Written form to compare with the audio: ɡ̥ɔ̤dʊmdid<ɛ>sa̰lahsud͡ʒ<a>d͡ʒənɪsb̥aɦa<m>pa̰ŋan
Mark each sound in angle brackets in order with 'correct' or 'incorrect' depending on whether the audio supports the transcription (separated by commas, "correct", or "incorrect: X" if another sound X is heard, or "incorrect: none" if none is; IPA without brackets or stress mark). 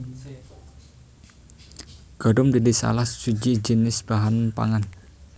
incorrect: i, incorrect: i, incorrect: n